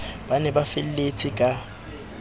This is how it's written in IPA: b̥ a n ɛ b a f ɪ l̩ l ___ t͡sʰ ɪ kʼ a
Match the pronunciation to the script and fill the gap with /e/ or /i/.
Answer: e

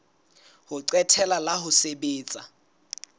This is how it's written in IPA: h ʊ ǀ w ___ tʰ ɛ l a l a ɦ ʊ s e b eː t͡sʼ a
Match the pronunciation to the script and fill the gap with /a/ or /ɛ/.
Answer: ɛ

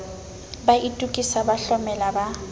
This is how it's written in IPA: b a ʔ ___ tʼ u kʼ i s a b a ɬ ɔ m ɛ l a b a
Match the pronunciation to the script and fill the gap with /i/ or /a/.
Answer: i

